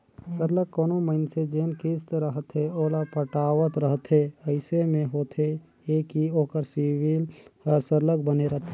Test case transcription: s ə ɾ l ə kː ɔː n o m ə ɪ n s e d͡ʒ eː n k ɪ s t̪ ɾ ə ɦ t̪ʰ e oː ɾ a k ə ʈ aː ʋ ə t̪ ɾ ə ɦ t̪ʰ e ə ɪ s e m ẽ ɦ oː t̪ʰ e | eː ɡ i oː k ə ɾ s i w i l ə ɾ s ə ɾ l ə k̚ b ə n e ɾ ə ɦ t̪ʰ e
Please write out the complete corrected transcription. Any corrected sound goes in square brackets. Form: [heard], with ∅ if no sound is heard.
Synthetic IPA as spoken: s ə ɾ l ə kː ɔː n o m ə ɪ n s e d͡ʒ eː n k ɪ s t̪ ɾ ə ɦ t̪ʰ e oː [l] a [p] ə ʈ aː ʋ ə t̪ ɾ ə ɦ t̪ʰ e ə ɪ s e m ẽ ɦ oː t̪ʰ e | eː [k] i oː k ə ɾ s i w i l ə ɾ s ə ɾ l ə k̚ b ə n e ɾ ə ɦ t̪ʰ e